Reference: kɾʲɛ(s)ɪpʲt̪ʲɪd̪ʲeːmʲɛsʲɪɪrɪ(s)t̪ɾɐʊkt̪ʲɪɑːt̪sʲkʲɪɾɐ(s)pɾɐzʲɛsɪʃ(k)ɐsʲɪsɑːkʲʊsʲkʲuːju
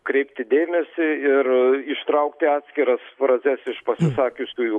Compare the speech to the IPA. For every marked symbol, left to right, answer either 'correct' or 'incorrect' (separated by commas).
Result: incorrect, incorrect, correct, incorrect